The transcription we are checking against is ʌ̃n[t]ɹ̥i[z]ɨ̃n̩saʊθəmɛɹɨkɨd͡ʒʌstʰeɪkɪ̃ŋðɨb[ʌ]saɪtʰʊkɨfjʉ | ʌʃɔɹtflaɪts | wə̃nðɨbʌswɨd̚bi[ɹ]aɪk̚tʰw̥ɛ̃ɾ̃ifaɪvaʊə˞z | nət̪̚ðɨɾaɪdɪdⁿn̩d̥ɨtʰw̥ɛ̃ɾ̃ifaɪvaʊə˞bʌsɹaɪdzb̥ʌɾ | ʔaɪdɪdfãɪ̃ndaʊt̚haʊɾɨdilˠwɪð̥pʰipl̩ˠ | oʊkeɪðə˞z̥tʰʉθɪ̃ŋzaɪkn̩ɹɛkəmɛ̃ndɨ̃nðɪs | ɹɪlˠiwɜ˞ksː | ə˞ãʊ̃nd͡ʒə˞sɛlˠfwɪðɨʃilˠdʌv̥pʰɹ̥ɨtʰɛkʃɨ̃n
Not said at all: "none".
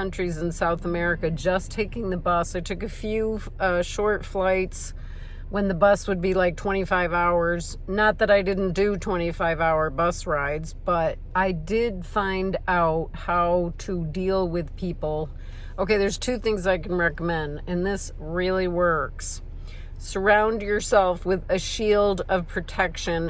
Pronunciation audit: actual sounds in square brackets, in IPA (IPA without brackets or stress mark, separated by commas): t͡ʃ, z, ʌ, l